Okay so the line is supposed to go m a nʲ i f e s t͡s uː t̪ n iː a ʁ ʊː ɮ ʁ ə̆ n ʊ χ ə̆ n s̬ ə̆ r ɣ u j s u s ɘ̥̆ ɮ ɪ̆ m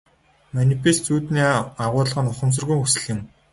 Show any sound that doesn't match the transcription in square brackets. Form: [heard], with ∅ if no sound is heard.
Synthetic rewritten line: m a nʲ i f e s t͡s uː t̪ n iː a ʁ ʊː ɮ ʁ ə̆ n ʊ χ ə̆ [m] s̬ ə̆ r ɣ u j [x] u s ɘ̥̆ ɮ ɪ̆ m